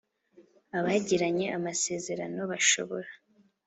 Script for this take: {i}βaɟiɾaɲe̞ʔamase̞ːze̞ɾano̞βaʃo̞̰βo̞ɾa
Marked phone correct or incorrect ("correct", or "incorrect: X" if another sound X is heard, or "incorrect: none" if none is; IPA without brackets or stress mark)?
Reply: incorrect: a